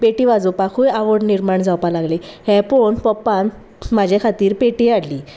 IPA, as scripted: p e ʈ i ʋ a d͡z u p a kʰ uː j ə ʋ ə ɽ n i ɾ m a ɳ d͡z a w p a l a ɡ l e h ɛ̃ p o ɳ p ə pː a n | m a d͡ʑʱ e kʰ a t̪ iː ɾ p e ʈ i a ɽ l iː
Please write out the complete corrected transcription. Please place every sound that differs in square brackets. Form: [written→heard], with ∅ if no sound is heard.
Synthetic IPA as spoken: p e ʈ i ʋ a d͡z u p a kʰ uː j [ə→a] ʋ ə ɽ n i ɾ m a ɳ d͡z a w p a l a ɡ l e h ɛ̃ p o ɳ p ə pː a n | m a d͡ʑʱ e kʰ a t̪ iː ɾ p e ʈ i a ɽ l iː